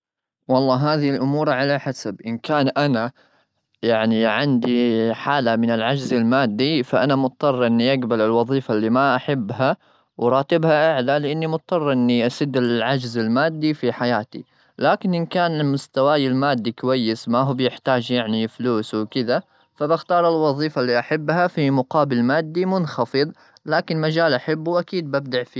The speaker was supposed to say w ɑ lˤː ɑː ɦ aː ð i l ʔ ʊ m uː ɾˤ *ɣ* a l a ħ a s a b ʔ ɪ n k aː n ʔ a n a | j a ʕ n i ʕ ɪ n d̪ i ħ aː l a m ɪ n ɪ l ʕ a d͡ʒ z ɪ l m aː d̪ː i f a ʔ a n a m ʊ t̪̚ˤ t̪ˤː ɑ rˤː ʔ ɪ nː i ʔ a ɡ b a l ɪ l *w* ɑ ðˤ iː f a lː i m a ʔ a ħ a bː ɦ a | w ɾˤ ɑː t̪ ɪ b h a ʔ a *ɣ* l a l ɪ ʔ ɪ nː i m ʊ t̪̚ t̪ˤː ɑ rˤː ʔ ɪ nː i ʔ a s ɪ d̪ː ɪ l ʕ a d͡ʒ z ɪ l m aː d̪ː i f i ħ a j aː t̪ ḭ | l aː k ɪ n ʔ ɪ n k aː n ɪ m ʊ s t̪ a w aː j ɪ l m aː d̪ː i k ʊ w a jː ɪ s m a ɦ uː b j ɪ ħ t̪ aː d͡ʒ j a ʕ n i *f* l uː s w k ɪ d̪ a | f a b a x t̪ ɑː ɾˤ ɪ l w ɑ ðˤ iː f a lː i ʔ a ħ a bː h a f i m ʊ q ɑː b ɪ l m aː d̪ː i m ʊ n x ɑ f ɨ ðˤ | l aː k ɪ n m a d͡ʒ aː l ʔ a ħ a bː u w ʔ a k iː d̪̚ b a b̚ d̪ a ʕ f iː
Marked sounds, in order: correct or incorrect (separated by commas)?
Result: incorrect, correct, incorrect, correct